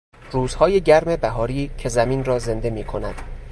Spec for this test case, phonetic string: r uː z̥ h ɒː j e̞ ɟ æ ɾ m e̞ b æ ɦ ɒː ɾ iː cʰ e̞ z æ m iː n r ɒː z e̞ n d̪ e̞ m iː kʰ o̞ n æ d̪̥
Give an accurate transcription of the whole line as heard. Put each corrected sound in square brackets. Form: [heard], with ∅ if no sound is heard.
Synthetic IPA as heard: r uː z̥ h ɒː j e̞ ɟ æ ɾ m e̞ b æ ɦ ɒː ɾ iː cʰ e̞ z æ m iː n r ɒː z e̞ n d̪ e̞ m iː kʰ o̞ n æ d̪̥